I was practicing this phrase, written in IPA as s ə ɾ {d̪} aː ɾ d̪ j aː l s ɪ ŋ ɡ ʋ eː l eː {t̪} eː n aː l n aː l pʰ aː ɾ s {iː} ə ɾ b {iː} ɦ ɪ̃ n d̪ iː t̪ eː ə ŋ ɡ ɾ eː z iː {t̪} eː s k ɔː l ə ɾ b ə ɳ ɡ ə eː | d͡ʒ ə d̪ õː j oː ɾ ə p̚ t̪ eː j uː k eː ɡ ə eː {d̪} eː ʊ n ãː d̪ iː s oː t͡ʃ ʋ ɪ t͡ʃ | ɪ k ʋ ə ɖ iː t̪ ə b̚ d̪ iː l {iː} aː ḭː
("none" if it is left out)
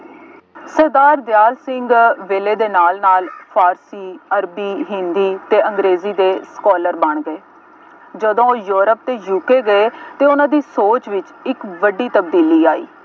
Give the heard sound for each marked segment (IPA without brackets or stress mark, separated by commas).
d̪, d̪, iː, iː, d̪, t̪, iː